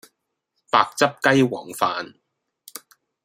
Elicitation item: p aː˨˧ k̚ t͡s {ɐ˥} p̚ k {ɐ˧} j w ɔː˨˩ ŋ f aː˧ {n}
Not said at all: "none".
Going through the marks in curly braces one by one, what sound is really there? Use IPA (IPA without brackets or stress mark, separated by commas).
ɐ˥, ɐ˥, n